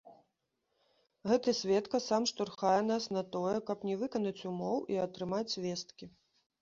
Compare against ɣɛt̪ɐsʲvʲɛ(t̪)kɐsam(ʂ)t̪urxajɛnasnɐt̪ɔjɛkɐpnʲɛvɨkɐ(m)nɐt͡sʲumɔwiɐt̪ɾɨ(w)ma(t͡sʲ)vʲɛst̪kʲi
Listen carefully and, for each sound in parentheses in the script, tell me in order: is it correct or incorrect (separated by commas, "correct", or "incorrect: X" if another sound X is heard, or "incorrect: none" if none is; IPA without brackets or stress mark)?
correct, correct, incorrect: none, incorrect: none, correct